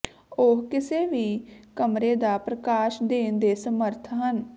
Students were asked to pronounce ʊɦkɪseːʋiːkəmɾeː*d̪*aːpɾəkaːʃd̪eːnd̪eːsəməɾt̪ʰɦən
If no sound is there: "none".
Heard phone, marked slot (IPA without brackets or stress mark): d̪